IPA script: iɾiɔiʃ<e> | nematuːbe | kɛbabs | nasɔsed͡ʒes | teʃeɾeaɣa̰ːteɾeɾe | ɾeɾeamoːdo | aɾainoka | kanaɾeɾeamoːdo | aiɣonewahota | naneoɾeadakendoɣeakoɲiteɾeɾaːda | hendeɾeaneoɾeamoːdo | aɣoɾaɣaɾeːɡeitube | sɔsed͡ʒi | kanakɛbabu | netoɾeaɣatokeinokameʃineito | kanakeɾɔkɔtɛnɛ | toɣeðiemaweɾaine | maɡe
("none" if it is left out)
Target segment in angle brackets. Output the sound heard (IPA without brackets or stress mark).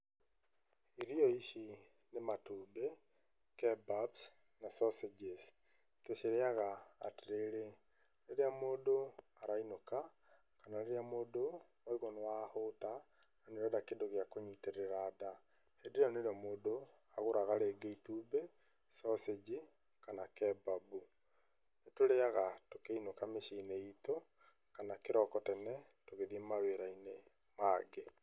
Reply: i